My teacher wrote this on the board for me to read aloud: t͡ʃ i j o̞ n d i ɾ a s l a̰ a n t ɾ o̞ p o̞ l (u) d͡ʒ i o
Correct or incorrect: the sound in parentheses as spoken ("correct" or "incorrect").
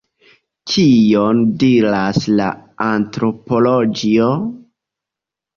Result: incorrect